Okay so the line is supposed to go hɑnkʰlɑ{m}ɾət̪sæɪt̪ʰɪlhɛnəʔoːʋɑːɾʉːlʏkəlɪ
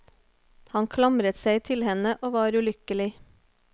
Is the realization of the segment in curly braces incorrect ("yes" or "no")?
no